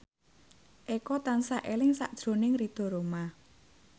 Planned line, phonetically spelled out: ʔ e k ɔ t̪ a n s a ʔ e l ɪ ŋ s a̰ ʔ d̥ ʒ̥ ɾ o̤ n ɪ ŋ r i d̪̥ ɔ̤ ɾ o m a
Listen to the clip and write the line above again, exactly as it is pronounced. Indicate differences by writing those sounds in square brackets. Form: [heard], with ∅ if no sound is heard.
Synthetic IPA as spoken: ʔ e k ɔ t̪ a n s a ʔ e l ɪ ŋ s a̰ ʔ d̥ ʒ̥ ɾ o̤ n ɪ ŋ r i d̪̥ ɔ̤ ɾ o m a